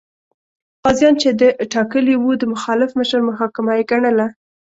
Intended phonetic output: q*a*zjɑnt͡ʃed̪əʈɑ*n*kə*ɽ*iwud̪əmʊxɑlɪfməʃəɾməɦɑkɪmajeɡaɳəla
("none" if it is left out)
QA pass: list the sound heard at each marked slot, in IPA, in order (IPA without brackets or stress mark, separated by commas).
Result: ɑ, none, l